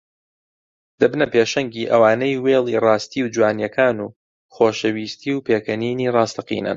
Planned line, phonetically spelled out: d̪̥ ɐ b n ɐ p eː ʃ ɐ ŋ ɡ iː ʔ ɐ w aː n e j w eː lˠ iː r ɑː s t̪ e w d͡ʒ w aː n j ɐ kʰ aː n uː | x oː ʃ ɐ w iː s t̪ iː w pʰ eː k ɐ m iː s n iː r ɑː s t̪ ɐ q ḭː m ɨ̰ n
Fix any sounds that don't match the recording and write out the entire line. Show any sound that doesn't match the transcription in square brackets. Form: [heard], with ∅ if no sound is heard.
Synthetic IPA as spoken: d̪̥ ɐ b n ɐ p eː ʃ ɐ ŋ ɡ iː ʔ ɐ w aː n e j w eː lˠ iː r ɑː s t̪ [i] w d͡ʒ w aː n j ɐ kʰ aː n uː | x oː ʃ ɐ w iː s t̪ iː w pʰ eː k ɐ [n] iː [∅] n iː r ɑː s t̪ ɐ q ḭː [n] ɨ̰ n